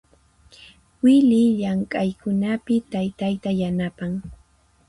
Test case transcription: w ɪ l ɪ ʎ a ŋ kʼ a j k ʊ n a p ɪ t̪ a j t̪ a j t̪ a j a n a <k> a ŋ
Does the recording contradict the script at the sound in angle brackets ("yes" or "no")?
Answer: yes